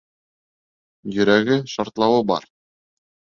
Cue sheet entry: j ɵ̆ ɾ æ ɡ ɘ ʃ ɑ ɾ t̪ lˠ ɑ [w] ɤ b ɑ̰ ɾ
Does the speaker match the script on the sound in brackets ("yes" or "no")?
yes